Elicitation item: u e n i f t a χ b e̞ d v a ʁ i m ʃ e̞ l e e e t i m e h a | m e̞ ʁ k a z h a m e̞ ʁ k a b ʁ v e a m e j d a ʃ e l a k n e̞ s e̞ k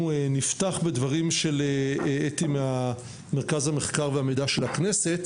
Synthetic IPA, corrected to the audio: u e n i f t a χ b e̞ d v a ʁ i m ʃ e̞ l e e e t i m e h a | m e̞ ʁ k a z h a m e̞ χ k a ʁ v e a m e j d a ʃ e l a k n e̞ s e̞ t